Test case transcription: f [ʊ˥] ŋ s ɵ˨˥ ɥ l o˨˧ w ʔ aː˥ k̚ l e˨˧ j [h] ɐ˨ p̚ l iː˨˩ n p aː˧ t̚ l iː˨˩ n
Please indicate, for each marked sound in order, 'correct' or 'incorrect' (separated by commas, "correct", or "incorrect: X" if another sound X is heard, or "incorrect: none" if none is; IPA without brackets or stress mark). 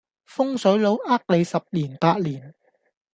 correct, incorrect: s